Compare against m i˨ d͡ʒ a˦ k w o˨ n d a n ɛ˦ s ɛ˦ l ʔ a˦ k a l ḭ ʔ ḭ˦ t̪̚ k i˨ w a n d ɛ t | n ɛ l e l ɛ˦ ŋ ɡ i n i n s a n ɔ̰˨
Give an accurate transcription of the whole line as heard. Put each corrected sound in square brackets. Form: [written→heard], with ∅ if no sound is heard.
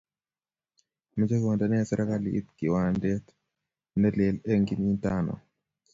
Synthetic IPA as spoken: m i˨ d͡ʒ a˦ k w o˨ n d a n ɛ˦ s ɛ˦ [l→ɾ] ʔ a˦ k a l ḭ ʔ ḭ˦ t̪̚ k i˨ w a n d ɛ t | n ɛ l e l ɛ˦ ŋ ɡ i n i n [s→t] a n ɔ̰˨

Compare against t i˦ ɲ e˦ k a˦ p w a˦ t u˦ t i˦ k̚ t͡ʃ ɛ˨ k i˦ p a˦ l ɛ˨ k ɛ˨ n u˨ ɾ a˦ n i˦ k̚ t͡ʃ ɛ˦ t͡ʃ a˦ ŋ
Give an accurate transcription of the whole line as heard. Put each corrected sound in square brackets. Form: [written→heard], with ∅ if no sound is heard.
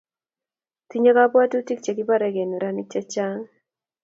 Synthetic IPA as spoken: t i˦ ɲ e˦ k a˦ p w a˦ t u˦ t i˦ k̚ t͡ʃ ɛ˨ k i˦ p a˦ [l→ɾ] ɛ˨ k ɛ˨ n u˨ ɾ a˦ n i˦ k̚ t͡ʃ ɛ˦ t͡ʃ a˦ ŋ

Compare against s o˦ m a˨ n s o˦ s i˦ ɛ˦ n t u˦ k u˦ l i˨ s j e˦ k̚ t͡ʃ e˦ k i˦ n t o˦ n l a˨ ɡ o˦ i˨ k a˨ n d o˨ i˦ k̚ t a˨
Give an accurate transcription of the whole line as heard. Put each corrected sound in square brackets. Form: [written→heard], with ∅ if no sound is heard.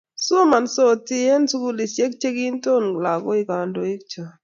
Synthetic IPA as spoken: s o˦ m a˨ n s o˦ [s→t] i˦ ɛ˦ n [t→s] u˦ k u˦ l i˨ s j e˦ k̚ t͡ʃ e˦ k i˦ n t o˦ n l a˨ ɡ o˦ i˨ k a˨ n d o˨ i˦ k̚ [t→t͡ʃ] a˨

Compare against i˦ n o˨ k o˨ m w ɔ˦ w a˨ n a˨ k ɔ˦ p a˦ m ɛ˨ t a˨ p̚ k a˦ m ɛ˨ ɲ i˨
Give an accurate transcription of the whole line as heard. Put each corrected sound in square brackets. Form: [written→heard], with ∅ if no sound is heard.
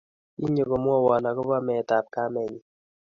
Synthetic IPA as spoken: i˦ [n→ɲ] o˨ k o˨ m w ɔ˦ w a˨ n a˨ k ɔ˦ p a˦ m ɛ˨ t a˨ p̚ k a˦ m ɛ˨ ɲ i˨

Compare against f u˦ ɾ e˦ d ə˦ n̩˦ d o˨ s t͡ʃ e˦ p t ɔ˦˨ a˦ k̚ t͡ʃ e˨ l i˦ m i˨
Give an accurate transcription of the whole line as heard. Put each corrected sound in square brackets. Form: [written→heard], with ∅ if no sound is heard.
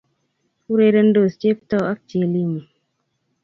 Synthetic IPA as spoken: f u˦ ɾ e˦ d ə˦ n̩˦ d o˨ s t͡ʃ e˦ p t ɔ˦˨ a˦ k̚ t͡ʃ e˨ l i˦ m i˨

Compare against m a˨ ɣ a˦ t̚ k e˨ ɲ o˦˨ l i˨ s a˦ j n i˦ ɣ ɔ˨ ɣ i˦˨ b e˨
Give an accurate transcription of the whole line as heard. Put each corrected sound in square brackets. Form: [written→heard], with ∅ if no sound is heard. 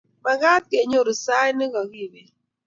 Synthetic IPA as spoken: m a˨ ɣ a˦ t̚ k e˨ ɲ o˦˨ [l→ɾ] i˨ s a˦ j n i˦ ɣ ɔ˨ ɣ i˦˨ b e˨

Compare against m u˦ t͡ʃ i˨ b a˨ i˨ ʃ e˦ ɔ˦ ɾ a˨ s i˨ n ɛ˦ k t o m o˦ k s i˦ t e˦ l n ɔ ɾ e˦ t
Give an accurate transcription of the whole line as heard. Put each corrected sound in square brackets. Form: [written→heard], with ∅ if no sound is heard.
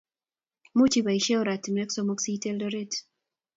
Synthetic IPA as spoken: m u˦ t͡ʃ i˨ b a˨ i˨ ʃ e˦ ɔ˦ ɾ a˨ [s→t] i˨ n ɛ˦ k [t→s] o m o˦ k s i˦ t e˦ l [n→d] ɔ ɾ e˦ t

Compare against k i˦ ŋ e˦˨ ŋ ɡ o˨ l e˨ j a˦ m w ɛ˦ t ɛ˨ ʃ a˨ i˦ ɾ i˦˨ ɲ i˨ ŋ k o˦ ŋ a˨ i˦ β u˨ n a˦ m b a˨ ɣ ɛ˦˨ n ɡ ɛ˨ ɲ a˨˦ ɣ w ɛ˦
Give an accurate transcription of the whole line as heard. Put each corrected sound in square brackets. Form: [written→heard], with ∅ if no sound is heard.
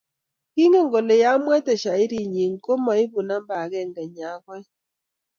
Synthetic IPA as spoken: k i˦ ŋ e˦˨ ŋ ɡ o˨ l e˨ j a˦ m w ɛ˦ t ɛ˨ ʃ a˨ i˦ ɾ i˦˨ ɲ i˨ ŋ k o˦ [ŋ→m] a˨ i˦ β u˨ n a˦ m b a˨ ɣ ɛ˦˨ [n→ŋ] ɡ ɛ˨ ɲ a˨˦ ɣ w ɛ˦

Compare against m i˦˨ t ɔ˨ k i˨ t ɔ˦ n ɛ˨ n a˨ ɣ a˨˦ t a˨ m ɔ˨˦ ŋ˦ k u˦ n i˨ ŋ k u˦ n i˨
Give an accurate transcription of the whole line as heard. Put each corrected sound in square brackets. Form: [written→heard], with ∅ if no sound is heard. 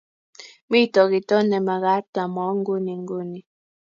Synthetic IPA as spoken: m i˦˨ t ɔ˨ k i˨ t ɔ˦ n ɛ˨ [n→m] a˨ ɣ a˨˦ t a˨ m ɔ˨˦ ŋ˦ [k→ɡ] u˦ n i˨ ŋ [k→ɡ] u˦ n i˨

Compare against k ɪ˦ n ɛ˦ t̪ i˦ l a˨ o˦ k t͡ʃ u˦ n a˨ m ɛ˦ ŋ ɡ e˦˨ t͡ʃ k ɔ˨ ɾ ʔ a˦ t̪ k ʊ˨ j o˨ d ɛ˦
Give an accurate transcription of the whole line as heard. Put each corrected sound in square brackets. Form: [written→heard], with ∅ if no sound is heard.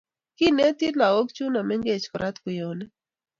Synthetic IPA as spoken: k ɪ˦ n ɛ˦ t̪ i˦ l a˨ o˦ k t͡ʃ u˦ n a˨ m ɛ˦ ŋ ɡ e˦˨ t͡ʃ k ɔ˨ ɾ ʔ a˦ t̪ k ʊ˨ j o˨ [d→n] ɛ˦

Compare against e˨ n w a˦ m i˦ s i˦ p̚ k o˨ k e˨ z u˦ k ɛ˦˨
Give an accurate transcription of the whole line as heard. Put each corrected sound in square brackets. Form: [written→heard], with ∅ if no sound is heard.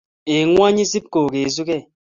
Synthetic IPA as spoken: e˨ [n→ŋ] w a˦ [m→ɲ] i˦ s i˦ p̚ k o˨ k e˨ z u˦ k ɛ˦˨

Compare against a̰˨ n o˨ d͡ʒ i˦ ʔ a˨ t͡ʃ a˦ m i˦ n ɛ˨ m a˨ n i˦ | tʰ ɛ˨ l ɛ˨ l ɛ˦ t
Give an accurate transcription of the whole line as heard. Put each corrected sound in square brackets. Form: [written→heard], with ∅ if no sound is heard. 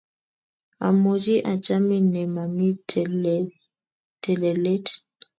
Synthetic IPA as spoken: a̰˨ [n→m] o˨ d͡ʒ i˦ ʔ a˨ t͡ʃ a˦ m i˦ n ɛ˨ m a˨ [n→m] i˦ | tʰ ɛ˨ l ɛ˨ l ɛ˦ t

